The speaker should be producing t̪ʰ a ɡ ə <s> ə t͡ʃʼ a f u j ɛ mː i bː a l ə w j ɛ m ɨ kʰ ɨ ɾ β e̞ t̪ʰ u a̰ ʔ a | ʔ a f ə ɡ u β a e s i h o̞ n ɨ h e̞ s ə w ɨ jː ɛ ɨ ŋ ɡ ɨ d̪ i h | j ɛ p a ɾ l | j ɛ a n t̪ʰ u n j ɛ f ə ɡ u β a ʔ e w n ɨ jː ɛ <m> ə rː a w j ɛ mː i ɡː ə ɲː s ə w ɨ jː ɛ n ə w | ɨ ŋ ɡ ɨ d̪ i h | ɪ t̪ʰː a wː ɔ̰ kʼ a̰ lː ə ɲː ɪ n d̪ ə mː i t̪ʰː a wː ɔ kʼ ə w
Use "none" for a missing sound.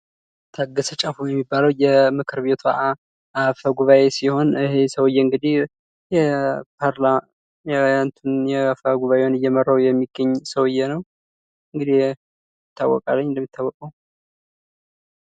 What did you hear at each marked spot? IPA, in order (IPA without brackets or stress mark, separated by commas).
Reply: s, m